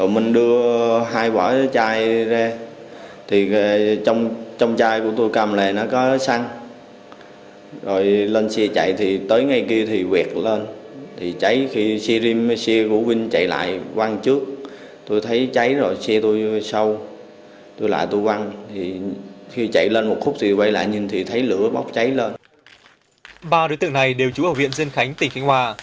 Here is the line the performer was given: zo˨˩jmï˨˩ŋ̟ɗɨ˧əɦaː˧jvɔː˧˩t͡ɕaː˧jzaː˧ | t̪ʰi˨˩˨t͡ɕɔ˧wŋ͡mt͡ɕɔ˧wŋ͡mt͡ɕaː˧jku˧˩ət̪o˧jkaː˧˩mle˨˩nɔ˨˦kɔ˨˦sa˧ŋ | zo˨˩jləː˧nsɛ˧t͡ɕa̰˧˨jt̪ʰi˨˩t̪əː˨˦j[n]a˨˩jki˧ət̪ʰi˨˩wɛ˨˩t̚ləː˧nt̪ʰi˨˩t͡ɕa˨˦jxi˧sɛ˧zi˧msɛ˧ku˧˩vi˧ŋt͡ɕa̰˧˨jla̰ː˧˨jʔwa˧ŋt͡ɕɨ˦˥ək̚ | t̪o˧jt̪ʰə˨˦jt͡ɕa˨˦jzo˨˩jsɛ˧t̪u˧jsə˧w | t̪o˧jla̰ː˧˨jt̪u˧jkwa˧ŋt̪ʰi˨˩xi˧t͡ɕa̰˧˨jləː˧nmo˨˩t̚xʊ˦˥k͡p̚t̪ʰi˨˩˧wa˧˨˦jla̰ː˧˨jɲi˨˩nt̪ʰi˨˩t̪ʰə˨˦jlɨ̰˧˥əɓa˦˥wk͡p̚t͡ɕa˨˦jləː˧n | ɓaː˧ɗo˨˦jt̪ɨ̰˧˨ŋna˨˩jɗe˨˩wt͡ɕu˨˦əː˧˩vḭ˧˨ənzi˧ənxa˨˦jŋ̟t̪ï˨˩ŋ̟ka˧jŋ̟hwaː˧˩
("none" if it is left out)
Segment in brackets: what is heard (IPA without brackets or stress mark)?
ŋ